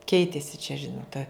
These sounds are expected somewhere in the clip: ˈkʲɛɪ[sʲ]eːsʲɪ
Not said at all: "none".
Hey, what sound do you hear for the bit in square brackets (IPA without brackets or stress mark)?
tʲ